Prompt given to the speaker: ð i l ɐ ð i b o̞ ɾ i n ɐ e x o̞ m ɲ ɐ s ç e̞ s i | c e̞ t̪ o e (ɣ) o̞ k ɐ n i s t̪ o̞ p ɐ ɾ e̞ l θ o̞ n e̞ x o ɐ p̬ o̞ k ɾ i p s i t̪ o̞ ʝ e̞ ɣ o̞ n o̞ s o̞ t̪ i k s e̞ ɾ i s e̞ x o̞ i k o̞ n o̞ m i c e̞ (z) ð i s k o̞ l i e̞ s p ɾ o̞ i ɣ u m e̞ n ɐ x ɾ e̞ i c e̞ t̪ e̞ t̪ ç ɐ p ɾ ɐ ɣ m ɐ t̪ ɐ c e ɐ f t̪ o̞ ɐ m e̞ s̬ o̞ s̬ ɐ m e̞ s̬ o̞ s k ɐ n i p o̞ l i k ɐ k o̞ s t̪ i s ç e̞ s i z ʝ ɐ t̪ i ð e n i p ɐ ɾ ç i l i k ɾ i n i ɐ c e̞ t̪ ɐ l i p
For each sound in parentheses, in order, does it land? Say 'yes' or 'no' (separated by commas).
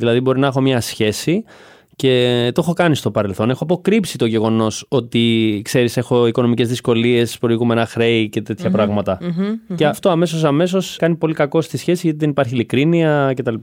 no, yes